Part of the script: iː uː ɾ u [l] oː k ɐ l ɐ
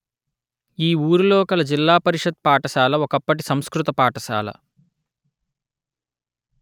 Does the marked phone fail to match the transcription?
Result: no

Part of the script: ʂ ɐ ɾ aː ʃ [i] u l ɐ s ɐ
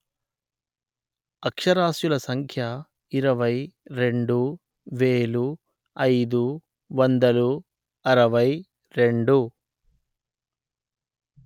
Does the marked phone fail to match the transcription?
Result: yes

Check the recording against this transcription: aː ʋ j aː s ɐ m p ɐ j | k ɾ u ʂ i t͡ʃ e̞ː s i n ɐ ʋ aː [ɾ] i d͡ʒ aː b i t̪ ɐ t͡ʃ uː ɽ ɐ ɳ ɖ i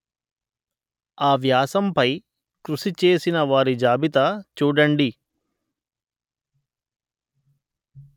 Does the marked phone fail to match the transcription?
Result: no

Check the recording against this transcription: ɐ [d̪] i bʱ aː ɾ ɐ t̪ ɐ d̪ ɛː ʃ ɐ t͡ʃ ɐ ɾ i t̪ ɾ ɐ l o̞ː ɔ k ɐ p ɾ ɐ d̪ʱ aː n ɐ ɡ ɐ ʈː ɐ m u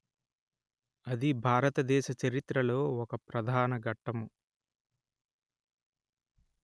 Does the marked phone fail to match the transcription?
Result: no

